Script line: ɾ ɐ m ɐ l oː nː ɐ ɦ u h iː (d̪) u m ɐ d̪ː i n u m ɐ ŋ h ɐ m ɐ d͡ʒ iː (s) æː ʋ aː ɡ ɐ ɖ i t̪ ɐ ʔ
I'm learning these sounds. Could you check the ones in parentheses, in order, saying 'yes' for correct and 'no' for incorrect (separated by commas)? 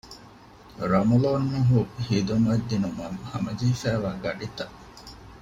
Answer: yes, no